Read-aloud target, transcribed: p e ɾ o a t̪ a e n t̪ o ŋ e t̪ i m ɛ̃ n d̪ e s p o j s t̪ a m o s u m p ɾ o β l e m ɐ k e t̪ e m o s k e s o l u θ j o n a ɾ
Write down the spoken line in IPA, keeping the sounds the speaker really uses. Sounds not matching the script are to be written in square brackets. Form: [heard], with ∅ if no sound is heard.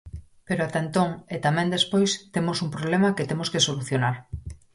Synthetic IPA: p e ɾ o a t̪ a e n t̪ o ŋ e t̪ [a] m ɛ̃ n d̪ e s p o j s t̪ [e] m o s u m p ɾ o β l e m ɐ k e t̪ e m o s k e s o l u θ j o n a ɾ